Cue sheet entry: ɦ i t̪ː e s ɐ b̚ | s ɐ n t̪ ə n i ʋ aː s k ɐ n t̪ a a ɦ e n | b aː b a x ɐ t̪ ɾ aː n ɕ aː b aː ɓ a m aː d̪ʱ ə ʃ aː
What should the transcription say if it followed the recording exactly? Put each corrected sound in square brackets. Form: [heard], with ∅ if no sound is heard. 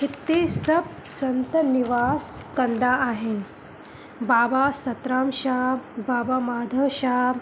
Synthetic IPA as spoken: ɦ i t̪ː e s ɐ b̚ | s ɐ n t̪ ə n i ʋ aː s k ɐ n [d̪] a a ɦ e n | b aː b a [s] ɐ t̪ ɾ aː [m] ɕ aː b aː [b] a m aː d̪ʱ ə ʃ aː